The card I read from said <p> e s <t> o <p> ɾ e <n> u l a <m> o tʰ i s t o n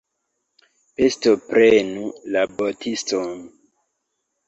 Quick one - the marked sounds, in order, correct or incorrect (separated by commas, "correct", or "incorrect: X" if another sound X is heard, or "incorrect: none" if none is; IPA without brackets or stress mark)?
correct, correct, correct, correct, incorrect: b